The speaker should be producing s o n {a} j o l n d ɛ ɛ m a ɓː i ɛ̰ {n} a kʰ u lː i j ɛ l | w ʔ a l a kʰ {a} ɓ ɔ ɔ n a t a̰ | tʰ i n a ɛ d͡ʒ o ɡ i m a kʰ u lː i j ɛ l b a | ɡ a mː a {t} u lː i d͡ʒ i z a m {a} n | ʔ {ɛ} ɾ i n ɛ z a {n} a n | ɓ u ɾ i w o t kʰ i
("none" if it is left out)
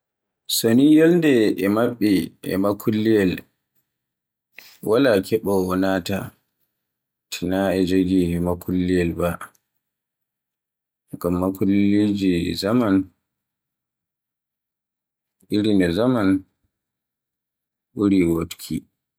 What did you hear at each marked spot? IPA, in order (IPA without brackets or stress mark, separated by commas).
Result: i, m, ɛ, k, a, i, m